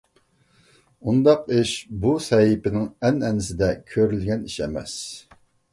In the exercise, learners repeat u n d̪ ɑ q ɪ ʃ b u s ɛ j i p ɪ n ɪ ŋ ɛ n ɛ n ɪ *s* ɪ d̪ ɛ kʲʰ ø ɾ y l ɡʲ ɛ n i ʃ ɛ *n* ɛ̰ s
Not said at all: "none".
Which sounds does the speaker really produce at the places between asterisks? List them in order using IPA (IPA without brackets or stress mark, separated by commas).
s, m